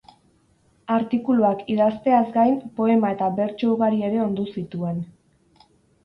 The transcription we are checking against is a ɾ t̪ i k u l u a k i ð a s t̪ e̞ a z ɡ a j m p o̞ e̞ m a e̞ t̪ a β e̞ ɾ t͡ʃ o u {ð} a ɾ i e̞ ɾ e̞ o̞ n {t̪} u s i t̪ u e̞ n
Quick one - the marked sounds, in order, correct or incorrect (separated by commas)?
incorrect, incorrect